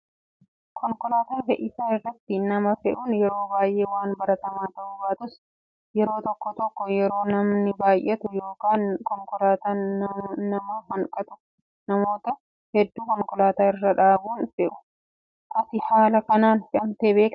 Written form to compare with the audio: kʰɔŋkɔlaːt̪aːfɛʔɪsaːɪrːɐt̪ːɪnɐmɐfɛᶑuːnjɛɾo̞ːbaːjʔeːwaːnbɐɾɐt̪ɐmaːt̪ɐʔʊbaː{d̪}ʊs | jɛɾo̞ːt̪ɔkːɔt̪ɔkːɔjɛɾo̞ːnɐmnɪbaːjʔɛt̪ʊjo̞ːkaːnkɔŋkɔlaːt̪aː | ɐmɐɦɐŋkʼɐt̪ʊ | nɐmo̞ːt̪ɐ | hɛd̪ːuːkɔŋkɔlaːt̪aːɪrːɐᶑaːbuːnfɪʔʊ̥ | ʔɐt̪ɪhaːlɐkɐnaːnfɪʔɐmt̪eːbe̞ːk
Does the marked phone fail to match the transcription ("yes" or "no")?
yes